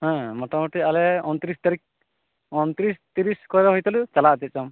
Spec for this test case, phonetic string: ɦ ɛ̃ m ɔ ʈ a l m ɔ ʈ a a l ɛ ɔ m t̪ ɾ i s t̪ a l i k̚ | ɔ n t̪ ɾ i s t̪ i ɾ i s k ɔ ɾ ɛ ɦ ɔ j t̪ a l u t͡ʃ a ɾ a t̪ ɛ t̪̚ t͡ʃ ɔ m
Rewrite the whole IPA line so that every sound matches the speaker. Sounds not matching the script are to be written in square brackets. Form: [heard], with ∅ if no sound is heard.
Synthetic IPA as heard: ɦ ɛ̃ m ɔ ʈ a [∅] m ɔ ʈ [i] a l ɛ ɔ [n] t̪ ɾ i s t̪ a [ɾ] i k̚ | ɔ n t̪ ɾ i s t̪ i ɾ i s k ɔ ɾ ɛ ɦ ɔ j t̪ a l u t͡ʃ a [l] a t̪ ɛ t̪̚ t͡ʃ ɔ m